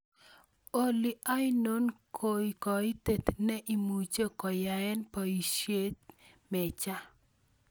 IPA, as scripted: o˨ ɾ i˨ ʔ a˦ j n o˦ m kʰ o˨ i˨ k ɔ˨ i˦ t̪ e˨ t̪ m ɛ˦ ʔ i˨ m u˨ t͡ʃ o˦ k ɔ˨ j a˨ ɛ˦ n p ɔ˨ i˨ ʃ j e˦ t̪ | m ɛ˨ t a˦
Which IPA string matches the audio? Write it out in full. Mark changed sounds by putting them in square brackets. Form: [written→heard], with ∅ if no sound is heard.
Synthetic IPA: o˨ [ɾ→l] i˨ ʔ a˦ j n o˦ [m→n] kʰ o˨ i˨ k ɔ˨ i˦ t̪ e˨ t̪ [m→n] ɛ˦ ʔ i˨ m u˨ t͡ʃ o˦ k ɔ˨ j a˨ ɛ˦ n p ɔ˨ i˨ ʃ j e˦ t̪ | m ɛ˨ [t→t͡ʃ] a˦